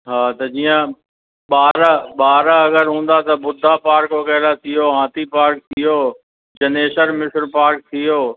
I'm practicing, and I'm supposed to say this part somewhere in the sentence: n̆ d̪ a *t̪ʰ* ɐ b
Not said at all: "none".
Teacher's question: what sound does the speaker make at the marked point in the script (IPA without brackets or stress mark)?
t̪